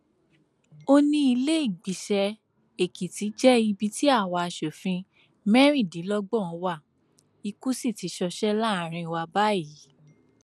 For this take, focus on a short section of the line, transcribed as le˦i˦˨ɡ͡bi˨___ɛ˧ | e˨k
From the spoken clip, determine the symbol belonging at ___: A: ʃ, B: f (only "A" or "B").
A